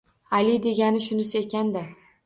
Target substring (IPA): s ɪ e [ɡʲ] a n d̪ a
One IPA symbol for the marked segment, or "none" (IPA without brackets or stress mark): kʲ